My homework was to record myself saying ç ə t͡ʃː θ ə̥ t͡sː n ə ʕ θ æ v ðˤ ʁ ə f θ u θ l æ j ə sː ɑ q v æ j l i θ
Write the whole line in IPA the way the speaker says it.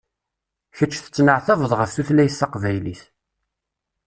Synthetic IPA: ç ə t͡ʃː θ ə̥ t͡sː n ə ʕ θ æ v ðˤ ʁ ə f θ u θ l æ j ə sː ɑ q v æ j l i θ